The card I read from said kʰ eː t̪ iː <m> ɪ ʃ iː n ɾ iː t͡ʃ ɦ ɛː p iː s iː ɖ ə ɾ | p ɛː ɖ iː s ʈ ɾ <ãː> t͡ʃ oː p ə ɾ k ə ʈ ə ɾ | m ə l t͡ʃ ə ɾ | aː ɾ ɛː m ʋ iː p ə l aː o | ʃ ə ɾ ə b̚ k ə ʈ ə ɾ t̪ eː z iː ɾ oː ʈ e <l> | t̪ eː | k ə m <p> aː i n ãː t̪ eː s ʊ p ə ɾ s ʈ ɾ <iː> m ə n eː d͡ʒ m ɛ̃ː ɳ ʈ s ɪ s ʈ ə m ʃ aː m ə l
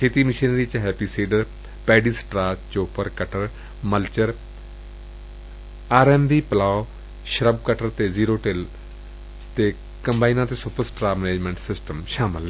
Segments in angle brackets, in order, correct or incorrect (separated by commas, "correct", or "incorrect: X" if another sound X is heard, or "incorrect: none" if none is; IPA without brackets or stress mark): correct, incorrect: aː, correct, incorrect: b, incorrect: aː